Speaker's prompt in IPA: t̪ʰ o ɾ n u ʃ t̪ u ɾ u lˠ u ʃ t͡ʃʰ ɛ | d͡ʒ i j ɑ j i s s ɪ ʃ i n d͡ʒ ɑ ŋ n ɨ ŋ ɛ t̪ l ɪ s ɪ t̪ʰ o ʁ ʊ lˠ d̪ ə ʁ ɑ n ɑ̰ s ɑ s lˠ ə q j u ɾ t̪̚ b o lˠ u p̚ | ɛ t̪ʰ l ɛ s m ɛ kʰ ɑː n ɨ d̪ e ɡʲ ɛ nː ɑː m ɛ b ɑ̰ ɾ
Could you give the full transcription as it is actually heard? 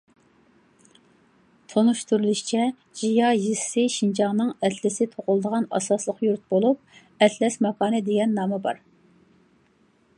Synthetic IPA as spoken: t̪ʰ o n u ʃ t̪ u ɾ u lˠ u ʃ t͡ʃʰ ɛ | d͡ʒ i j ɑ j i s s ɪ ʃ i n d͡ʒ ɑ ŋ n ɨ ŋ ɛ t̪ l ɪ s ɪ t̪ʰ o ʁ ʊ lˠ d̪ ə ʁ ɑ n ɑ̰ s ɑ s lˠ ə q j u ɾ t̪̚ b o lˠ u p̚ | ɛ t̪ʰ l ɛ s m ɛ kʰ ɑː n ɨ d̪ e ɡʲ ɛ nː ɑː m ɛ b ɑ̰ ɾ